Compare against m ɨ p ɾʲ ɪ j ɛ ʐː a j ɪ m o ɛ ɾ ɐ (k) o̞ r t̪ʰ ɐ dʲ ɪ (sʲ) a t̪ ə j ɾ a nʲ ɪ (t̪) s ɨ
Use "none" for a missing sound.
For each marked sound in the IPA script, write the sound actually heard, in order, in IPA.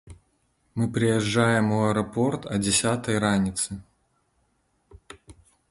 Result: p, sʲ, t̪

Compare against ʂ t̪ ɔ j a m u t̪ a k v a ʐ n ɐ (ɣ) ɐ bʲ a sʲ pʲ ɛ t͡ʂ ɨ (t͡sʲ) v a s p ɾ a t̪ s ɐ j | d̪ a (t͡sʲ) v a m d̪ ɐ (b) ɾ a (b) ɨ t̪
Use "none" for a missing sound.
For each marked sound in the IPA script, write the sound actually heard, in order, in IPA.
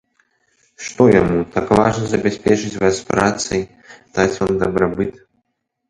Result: z, t͡sʲ, t͡sʲ, b, b

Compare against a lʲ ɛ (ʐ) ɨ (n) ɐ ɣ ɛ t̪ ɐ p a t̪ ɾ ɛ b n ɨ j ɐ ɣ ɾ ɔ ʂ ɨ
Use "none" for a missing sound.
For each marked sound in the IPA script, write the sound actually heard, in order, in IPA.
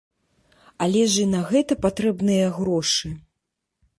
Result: ʐ, n

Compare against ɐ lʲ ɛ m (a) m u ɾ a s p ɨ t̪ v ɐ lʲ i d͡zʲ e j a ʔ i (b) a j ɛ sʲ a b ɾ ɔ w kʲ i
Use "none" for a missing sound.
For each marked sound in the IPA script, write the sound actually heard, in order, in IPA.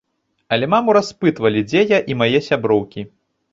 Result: a, m

